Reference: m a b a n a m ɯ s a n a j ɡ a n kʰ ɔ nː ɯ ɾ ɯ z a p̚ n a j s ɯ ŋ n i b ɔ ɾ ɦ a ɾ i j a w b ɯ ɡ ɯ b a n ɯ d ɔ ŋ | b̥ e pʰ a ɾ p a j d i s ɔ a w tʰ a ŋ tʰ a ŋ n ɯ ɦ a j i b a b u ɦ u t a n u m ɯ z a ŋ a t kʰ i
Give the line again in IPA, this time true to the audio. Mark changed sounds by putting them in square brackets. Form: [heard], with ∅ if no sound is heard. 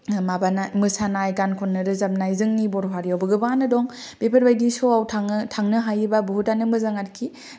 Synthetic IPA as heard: m a b a n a m ɯ s a n a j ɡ a n kʰ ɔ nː ɯ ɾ ɯ z a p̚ n a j [z] ɯ ŋ n i b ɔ ɾ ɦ a ɾ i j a w b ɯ ɡ ɯ b a n ɯ d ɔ ŋ | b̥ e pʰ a ɾ [b] a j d i s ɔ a w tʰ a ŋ tʰ a ŋ n ɯ ɦ a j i b a b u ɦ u t a n [ɯ] m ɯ z a ŋ a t kʰ i